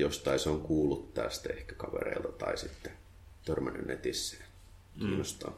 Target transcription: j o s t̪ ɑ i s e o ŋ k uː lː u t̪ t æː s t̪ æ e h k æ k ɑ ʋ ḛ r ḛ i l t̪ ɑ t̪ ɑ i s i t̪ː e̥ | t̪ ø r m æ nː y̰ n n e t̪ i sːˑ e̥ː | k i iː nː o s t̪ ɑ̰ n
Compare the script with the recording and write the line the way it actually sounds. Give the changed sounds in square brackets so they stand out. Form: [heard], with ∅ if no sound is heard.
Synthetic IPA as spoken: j o s t̪ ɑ i s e o ŋ k uː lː u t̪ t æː s t̪ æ e h k æ k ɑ ʋ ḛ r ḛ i l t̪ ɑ t̪ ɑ i s i t̪ː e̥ | t̪ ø r m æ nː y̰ n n e t̪ i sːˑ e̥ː | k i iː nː o s t̪ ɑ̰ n